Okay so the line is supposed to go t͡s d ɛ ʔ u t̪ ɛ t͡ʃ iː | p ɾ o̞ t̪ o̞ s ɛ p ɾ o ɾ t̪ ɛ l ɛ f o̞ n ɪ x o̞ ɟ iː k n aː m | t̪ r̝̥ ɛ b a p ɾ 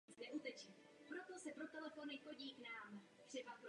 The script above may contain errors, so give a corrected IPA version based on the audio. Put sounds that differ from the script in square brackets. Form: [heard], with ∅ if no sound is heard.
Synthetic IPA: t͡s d ɛ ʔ u t̪ ɛ t͡ʃ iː | p ɾ o̞ t̪ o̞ s ɛ p ɾ o [∅] t̪ ɛ l ɛ f o̞ n ɪ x o̞ ɟ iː k n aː m | t̪ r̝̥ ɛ b a p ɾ